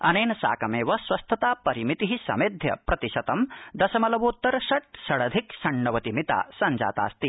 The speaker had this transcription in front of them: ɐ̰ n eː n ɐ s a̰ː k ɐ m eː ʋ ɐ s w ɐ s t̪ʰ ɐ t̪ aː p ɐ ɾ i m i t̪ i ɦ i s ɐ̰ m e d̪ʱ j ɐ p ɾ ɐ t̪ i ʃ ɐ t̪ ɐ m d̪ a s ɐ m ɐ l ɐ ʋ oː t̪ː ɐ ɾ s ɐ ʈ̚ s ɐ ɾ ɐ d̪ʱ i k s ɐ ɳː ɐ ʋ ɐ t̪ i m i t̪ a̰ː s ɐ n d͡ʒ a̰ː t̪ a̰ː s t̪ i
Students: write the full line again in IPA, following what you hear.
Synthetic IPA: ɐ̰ n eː n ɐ s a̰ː k ɐ m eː ʋ ɐ s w ɐ s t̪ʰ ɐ t̪ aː p ɐ ɾ i m i t̪ i ɦ i s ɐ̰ m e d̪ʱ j ɐ p ɾ ɐ t̪ i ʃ ɐ t̪ ɐ m d̪ ɐ s ɐ m ɐ l ɐ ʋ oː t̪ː ɐ ɾ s ɐ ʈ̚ s ɐ ɽ ɐ d̪ʱ i k s ɐ ɳː ɐ ʋ ɐ t̪ i m i t̪ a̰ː s ɐ n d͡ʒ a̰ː t̪ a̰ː s t̪ i

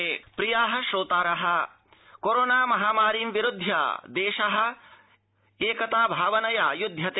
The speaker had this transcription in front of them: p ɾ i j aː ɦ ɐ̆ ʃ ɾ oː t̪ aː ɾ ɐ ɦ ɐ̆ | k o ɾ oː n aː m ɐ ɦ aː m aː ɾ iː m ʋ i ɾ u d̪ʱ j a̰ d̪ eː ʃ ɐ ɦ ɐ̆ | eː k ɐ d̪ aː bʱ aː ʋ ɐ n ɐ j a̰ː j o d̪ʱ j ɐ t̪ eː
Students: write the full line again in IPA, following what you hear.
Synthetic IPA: p ɾ i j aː ɦ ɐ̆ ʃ ɾ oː t̪ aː ɾ ɐ ɦ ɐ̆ | k o ɾ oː n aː m ɐ ɦ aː m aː ɾ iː m ʋ i ɾ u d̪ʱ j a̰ d̪ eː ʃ ɐ ɦ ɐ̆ | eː k ɐ t̪ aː bʱ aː ʋ ɐ n ɐ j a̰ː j u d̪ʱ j ɐ t̪ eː

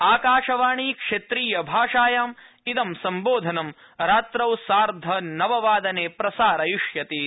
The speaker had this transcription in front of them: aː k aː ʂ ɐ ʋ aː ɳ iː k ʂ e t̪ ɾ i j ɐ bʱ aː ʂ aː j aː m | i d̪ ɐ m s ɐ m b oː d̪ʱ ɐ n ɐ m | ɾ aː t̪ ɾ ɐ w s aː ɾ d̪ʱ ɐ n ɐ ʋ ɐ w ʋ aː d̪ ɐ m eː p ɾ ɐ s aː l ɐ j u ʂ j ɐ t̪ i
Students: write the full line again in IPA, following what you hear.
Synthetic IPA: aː k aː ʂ ɐ ʋ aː ɳ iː k ʂ e t̪ ɾ iː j ɐ bʱ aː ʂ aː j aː m | i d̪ ɐ m s ɐ m b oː d̪ʱ ɐ n ɐ m | ɾ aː t̪ ɾ ɐ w s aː ɾ d̪ʱ ɐ n ɐ ʋ ɐ ʋ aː d̪ ɐ n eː p ɾ ɐ s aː ɾ ɐ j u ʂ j ɐ t̪ i

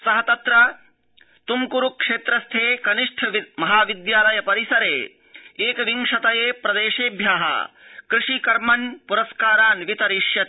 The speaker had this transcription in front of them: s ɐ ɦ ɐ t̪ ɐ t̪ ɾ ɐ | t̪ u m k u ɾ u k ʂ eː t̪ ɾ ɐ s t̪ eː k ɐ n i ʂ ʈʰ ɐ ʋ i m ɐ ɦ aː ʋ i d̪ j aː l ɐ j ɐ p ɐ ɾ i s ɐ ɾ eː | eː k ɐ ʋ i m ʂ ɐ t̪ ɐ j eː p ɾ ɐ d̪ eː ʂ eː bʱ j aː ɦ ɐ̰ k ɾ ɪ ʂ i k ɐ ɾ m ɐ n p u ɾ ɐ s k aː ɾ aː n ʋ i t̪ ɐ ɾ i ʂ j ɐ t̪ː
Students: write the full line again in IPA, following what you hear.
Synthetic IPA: s ɐ ɦ ɐ t̪ ɐ t̪ ɾ ɐ | t̪ u m k u ɾ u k ʂ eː t̪ ɾ ɐ s t̪ʰ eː k ɐ n i ʂ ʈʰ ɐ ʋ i m ɐ ɦ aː ʋ i d̪ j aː l ɐ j ɐ p ɐ ɾ i s ɐ ɾ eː | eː k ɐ ʋ i ŋ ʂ ɐ t̪ ɐ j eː p ɾ ɐ d̪ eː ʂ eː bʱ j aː ɦ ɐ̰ k ɾ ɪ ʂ i k ɐ ɾ m ɐ n p u ɾ ɐ s k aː ɾ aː n ʋ i t̪ ɐ ɾ i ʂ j ɐ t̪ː

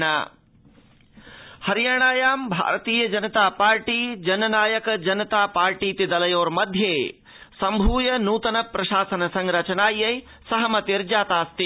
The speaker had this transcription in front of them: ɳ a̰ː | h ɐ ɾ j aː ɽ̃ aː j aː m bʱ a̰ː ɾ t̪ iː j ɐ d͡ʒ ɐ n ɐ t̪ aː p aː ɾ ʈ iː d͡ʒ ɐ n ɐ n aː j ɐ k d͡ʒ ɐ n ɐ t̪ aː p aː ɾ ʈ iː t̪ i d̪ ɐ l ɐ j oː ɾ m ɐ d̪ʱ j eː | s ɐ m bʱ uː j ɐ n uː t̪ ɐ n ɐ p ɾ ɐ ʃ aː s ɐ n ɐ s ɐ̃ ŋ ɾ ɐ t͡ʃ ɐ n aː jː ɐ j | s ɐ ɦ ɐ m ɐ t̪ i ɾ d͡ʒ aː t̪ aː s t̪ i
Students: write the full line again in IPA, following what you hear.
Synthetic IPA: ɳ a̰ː | h ɐ ɾ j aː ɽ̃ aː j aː m bʱ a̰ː ɾ t̪ iː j ɐ d͡ʒ ɐ n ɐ t̪ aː p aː ɾ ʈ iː d͡ʒ ɐ n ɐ n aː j ɐ k d͡ʒ ɐ n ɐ t̪ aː p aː ɾ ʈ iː t̪ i d̪ ɐ l ɐ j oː ɾ m ɐ d̪ʱ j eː | s ɐ m bʱ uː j ɐ n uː t̪ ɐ n ɐ p ɾ ɐ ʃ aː s ɐ n ɐ s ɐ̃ ŋ ɾ ɐ t͡ʃ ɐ n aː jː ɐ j | s ɐ ɦ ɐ m ɐ t̪ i ɾ d͡ʒ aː t̪ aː s t̪ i

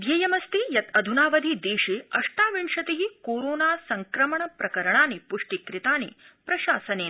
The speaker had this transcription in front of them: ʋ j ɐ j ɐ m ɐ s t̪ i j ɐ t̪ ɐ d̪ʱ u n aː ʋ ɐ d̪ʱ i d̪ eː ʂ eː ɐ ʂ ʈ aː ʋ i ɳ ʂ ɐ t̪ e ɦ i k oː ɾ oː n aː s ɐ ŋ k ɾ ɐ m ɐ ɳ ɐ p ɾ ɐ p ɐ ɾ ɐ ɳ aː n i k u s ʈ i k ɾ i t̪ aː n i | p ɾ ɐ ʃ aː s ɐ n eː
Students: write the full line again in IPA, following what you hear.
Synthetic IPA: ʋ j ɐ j ɐ m ɐ s t̪ i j ɐ t̪ ɐ d̪ʱ u n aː ʋ ɐ d̪ʱ i d̪ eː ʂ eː ɐ ʂ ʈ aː ʋ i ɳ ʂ ɐ t̪ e ɦ i k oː ɾ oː n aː s ɐ ŋ k ɾ ɐ m ɐ ɳ ɐ p ɾ ɐ k ɐ ɾ ɐ ɳ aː n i p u ʂ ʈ i k ɾ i t̪ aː n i | p ɾ ɐ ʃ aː s ɐ n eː

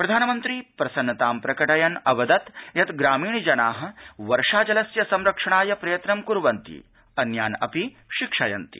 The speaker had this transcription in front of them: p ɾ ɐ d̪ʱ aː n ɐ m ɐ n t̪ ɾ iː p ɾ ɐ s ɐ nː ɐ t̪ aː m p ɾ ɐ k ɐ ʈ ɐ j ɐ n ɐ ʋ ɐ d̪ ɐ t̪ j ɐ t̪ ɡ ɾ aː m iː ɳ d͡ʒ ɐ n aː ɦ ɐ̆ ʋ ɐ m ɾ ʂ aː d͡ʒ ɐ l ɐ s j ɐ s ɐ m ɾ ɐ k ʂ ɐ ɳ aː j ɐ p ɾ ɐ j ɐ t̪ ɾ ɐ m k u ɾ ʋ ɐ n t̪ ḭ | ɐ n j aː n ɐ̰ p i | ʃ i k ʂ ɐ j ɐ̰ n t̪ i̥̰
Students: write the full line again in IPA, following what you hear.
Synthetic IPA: p ɾ ɐ d̪ʱ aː n ɐ m ɐ n t̪ ɾ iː p ɾ ɐ s ɐ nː ɐ t̪ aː m p ɾ ɐ k ɐ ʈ ɐ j ɐ n ɐ ʋ ɐ d̪ ɐ t̪ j ɐ t̪ ɡ ɾ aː m iː ɳ d͡ʒ ɐ n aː ɦ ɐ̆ ʋ ɐ ɾ ʂ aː d͡ʒ ɐ l ɐ s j ɐ s ɐ m ɾ ɐ k ʂ ɐ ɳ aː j ɐ p ɾ ɐ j ɐ t̪ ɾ ɐ m k u ɾ ʋ ɐ n t̪ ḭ | ɐ n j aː n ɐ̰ p i | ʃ i k ʂ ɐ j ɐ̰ n t̪ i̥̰

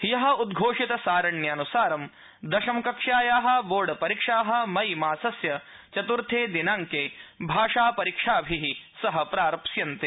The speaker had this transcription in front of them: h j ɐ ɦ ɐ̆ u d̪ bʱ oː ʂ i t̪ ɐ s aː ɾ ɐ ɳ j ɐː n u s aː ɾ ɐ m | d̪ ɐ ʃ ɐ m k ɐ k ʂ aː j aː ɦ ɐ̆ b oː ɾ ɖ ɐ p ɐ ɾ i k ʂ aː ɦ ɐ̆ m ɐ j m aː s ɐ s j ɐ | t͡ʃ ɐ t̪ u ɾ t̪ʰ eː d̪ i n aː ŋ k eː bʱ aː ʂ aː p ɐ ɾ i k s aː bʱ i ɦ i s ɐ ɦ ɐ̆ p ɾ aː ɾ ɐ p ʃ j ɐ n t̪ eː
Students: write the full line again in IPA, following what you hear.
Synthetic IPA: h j ɐ ɦ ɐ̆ u d̪ ɡʱ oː ʂ i t̪ ɐ s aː ɾ ɐ ɳ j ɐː n u s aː ɾ ɐ m | d̪ ɐ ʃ ɐ m k ɐ k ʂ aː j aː ɦ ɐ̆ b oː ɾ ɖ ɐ p ɐ ɾ i k ʂ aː ɦ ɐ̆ m ɐ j m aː s ɐ s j ɐ | t͡ʃ ɐ t̪ u ɾ t̪ʰ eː d̪ i n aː ŋ k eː bʱ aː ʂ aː p ɐ ɾ i k ʂ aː bʱ i ɦ i s ɐ ɦ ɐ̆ p ɾ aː ɾ ɐ p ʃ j ɐ n t̪ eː

